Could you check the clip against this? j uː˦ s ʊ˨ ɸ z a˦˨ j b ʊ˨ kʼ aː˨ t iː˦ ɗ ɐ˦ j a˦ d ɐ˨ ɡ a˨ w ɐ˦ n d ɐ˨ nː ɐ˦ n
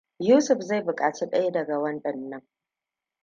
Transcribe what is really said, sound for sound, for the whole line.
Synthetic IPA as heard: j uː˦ s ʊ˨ ɸ z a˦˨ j b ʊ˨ kʼ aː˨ t͡ʃ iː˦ ɗ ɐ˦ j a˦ d ɐ˨ ɡ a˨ w ɐ˦ n ɗ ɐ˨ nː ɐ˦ ŋ